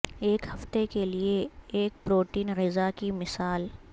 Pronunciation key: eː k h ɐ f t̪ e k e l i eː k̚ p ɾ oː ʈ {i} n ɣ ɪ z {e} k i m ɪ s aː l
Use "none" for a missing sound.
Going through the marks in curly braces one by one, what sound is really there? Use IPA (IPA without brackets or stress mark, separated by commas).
iː, a